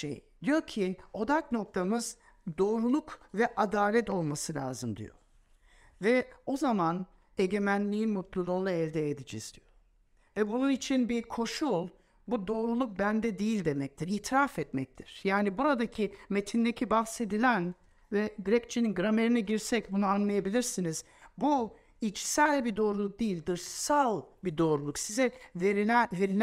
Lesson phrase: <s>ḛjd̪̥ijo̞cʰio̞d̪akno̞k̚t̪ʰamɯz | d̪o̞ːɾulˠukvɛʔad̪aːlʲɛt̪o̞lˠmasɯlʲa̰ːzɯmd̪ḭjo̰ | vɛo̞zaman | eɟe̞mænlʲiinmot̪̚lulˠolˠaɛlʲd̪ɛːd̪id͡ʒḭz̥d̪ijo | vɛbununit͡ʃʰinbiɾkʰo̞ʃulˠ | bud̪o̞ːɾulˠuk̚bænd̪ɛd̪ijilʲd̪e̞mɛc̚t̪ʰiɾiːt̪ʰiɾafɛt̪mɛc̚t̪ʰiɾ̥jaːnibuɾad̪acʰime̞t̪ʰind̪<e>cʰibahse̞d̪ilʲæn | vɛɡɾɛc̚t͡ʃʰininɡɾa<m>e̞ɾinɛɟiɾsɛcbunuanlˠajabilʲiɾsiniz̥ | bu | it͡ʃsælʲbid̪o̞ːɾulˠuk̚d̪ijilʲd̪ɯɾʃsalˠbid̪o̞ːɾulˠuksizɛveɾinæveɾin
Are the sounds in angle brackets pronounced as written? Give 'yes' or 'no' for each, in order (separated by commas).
no, yes, yes